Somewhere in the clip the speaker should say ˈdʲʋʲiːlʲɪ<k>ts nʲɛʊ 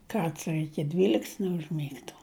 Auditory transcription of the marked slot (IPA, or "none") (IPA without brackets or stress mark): k